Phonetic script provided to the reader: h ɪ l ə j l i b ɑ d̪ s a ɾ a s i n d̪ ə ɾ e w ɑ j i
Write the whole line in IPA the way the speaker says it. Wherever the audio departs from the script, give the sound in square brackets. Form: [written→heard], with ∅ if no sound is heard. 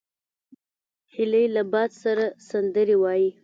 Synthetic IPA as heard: h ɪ l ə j l [i→a] b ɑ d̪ s a ɾ a s [i→a] n d̪ ə ɾ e w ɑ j i